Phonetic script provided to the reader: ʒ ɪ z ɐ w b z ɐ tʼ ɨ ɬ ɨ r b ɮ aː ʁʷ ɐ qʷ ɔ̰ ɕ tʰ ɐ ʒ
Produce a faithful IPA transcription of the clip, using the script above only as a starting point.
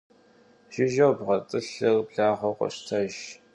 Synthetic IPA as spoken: ʒ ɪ ʒ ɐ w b ʁ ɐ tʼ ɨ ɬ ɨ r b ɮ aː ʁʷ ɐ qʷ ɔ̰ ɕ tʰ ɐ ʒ